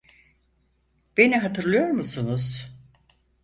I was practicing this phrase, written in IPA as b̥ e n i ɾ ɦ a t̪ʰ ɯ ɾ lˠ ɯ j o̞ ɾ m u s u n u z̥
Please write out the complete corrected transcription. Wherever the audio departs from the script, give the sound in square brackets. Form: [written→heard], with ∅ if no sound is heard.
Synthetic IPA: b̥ e n i [ɾ→∅] ɦ a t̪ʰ ɯ ɾ lˠ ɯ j o̞ ɾ m u s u n u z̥